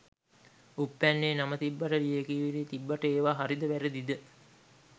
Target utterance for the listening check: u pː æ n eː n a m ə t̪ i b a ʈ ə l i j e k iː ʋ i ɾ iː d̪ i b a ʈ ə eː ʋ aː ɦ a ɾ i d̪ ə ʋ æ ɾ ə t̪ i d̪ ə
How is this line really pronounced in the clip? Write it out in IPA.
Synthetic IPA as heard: u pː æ nː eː n a m ə t̪ i bː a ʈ ə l i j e k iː ʋ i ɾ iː t̪ i bː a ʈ ə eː ʋ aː ɦ a ɾ i d̪ ə ʋ æ ɾ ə d̪ i d̪ ə